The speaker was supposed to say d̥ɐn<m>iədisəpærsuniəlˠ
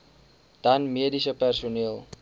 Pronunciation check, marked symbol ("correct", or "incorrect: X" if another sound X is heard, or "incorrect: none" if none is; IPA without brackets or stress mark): correct